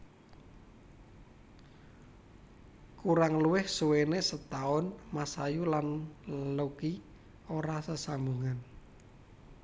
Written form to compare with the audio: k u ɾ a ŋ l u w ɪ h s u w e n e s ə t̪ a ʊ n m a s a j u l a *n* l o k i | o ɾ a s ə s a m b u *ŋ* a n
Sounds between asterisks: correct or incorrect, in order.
correct, correct

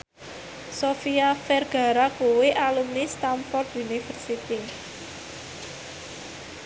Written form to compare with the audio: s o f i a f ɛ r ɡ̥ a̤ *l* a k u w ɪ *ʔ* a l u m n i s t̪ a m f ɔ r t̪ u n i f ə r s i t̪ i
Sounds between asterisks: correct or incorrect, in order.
incorrect, correct

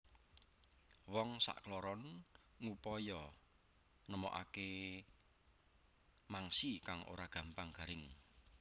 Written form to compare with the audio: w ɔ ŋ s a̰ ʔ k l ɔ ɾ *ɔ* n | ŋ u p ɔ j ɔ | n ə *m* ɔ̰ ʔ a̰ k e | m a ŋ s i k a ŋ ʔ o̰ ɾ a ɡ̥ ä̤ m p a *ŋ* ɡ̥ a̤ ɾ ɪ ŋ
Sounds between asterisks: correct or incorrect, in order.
correct, correct, correct

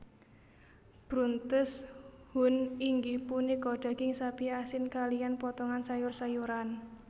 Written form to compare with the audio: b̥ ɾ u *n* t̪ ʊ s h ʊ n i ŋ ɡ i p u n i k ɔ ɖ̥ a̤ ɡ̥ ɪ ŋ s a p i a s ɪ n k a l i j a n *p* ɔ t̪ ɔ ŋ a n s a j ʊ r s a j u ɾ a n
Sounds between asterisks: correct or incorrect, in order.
correct, correct

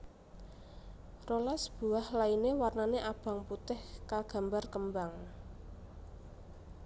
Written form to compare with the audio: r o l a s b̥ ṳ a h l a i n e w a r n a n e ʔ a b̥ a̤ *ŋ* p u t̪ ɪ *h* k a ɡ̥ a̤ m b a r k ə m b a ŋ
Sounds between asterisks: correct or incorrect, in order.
correct, correct

